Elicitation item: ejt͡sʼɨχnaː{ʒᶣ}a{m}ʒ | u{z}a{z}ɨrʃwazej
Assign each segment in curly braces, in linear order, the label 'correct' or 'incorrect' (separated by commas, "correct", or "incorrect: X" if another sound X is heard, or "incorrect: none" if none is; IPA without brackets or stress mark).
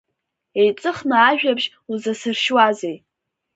correct, incorrect: b, correct, incorrect: s